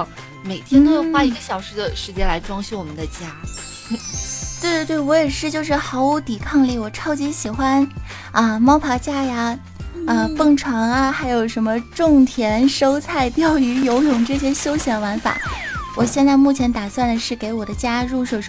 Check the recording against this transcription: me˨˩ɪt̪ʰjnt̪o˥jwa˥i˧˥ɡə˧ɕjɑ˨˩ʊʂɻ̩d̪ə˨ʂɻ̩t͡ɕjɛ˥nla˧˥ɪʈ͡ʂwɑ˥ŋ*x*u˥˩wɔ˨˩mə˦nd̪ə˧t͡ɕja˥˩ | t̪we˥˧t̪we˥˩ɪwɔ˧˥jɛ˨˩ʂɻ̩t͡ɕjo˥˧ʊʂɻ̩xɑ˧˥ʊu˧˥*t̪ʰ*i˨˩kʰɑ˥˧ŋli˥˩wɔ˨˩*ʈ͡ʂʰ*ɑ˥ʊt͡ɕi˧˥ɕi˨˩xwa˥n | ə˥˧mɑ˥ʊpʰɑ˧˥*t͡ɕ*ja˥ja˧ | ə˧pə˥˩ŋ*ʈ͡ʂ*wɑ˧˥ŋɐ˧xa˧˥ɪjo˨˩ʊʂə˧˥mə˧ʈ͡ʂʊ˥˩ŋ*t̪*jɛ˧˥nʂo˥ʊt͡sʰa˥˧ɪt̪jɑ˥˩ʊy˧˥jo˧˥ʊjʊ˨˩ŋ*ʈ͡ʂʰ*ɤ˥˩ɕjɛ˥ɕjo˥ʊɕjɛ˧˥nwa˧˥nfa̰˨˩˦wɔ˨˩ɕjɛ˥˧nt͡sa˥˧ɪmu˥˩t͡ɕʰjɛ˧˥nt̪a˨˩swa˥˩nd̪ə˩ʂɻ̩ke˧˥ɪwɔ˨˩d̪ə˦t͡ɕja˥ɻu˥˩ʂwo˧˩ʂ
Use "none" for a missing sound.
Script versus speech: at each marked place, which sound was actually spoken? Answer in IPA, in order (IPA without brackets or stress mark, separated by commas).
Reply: ɕ, t̪, ʈ͡ʂʰ, t͡ɕ, ʈ͡ʂʰ, t̪ʰ, ʈ͡ʂ